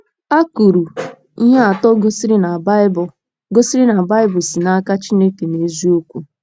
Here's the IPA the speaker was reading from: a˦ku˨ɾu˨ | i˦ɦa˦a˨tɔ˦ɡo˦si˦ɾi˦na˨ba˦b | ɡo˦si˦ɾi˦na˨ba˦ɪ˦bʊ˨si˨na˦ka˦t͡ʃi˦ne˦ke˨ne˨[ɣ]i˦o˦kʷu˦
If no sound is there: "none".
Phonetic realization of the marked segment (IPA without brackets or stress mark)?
z